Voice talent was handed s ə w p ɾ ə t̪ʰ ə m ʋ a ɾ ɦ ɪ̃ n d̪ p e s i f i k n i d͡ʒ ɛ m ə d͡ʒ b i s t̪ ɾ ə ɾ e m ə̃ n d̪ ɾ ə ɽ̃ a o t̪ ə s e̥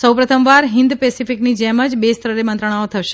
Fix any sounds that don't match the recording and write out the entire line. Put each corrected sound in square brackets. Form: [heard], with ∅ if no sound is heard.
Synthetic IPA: s ə w p ɾ ə t̪ʰ ə m ʋ a ɾ ɦ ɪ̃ n d̪ p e s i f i k n i d͡ʒ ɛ m ə d͡ʒ b [e] s t̪ ɾ ə ɾ e m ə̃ n [t̪] ɾ ə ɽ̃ a o [t̪ʰ] ə [ʃ] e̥